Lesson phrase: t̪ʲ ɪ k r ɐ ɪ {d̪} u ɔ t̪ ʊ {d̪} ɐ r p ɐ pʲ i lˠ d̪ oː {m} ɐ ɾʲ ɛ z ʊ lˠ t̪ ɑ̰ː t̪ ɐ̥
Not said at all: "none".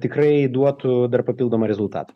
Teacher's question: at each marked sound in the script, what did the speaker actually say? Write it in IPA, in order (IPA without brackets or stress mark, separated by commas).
d̪, d̪, m